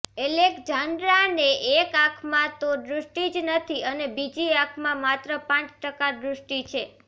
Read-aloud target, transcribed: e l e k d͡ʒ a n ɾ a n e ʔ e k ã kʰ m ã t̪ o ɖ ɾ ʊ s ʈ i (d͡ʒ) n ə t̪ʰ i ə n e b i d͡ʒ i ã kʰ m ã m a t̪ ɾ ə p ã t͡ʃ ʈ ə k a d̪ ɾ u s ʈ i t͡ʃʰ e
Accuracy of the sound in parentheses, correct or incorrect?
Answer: correct